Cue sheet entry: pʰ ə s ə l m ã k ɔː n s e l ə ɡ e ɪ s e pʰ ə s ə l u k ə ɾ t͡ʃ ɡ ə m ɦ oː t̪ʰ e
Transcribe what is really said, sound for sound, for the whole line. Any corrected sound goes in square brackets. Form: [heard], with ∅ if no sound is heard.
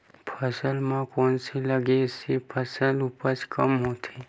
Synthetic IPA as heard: pʰ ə s ə l m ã k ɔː n s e l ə ɡ e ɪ s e pʰ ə s ə l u [p] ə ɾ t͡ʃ [k] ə m ɦ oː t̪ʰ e